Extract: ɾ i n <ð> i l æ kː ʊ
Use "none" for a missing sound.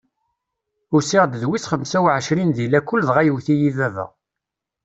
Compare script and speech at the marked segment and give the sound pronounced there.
ð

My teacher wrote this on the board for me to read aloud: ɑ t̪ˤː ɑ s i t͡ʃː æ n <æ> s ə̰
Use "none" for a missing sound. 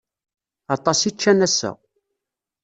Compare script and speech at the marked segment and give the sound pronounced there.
æ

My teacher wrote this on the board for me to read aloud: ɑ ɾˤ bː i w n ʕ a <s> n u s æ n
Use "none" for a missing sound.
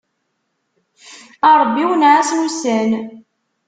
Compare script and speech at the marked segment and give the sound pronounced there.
s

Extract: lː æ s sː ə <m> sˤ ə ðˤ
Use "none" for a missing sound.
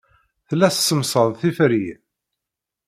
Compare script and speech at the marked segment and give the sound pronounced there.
m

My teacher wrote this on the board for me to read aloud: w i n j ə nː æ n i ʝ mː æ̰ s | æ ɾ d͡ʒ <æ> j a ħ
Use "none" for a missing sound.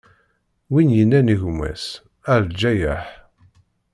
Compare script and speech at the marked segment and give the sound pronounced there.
æ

